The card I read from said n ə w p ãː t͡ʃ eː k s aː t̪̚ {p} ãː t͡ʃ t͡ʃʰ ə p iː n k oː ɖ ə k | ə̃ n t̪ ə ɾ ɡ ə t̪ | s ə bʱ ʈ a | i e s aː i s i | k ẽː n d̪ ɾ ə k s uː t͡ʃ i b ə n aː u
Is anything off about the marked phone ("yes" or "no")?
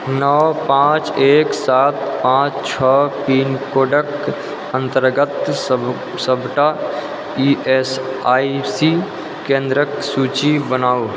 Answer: no